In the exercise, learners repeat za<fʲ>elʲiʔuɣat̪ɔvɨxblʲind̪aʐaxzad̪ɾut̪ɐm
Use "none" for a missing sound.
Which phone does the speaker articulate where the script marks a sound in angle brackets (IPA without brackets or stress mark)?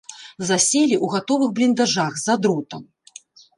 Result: sʲ